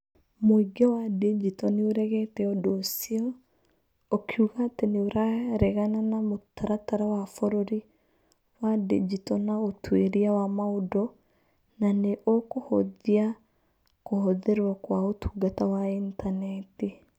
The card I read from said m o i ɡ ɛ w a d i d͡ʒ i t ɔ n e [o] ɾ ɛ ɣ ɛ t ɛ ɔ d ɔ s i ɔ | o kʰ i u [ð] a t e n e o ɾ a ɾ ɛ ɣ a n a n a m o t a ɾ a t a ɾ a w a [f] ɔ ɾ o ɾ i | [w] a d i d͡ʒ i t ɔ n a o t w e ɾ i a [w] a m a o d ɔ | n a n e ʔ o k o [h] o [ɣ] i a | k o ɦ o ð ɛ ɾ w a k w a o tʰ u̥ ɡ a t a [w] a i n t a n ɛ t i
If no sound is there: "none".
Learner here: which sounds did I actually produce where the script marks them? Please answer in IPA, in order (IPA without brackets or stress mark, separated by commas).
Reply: o, ɣ, f, w, w, h, ð, w